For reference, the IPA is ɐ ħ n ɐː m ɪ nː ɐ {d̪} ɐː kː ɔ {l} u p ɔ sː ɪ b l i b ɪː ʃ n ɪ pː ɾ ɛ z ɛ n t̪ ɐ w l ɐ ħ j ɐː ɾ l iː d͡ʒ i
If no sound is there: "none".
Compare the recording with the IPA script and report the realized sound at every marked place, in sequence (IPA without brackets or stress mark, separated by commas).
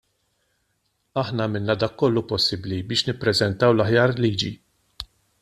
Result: d̪, lː